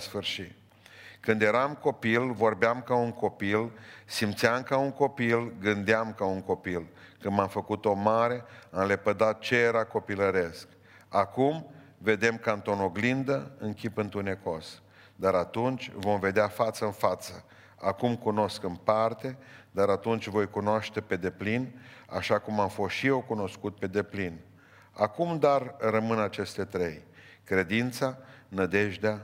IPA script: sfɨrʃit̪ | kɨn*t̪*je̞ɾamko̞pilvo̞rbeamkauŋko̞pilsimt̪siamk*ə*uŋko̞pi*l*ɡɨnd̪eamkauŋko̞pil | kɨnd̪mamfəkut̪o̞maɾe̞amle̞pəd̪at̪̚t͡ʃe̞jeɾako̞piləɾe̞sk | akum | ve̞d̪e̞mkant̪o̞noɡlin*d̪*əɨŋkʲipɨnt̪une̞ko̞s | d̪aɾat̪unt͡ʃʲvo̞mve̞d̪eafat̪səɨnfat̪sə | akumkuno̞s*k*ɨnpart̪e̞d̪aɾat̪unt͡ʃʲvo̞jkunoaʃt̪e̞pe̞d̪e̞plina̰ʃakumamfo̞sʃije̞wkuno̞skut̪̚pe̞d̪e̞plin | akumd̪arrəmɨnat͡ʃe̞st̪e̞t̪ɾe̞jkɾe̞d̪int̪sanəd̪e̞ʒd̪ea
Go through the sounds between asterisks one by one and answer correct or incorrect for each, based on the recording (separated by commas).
incorrect, incorrect, correct, correct, correct